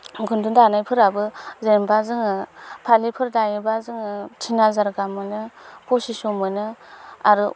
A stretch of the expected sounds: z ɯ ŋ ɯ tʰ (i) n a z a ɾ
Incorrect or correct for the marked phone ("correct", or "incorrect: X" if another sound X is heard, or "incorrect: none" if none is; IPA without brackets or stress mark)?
correct